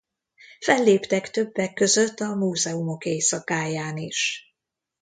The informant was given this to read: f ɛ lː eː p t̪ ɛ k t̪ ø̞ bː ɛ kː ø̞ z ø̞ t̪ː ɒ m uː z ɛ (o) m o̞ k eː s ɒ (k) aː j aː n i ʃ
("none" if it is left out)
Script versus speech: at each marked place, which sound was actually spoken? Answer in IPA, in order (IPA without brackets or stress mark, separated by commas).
u, k